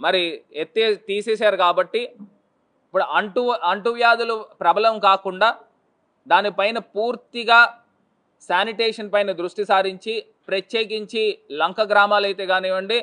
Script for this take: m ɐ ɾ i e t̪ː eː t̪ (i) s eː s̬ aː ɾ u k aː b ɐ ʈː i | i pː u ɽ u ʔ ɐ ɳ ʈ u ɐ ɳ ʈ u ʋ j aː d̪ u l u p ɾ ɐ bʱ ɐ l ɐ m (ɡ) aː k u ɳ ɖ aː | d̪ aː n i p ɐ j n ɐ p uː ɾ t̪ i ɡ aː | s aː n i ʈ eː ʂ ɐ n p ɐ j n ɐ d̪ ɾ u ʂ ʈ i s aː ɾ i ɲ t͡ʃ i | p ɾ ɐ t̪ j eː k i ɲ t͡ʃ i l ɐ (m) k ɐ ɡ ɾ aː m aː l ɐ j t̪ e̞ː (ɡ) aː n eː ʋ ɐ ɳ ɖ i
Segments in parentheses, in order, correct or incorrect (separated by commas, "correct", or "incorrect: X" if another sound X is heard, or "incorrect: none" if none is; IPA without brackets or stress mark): incorrect: iː, incorrect: k, incorrect: ŋ, correct